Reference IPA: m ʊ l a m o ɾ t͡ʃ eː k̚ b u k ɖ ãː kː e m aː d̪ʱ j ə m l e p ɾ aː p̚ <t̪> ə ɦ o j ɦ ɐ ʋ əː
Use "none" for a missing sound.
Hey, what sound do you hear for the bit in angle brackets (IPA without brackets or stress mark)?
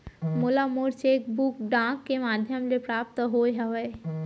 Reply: t̪